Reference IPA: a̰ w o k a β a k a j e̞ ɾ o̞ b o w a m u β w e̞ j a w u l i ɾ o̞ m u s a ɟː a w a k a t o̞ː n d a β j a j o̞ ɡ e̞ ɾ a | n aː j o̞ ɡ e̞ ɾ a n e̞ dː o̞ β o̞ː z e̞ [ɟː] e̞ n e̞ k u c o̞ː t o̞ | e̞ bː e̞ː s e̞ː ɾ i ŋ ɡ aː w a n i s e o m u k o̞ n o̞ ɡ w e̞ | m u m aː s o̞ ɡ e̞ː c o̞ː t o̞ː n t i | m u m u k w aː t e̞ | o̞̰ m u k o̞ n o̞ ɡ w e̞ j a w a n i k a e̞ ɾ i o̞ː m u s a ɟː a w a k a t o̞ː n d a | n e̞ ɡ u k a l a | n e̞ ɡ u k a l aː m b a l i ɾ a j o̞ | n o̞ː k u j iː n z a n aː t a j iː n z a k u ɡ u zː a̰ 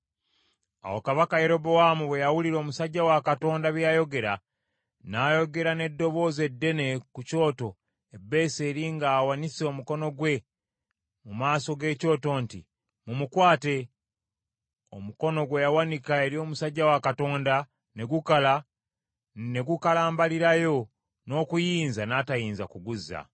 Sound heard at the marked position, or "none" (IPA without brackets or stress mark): dː